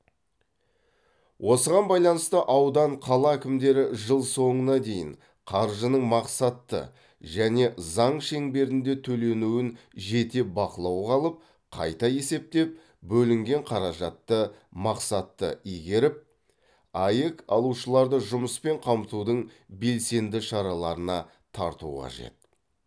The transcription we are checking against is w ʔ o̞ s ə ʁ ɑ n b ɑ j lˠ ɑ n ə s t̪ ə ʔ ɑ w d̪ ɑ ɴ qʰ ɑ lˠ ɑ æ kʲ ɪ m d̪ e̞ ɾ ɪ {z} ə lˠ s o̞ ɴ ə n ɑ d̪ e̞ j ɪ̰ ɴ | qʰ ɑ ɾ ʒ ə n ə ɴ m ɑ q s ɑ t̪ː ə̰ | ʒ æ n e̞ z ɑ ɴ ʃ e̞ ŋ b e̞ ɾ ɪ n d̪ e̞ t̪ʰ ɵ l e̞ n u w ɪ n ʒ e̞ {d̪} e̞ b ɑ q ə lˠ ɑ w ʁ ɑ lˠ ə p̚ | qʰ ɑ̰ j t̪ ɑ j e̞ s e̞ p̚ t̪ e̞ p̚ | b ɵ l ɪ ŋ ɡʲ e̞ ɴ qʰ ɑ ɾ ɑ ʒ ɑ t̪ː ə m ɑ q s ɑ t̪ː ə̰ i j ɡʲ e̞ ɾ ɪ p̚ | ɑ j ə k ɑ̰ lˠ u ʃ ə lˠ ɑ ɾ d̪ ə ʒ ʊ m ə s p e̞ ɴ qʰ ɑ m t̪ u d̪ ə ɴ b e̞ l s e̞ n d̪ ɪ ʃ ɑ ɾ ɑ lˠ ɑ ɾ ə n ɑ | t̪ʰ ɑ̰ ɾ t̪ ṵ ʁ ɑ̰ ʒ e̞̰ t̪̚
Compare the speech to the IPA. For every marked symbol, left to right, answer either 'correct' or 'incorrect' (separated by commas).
incorrect, incorrect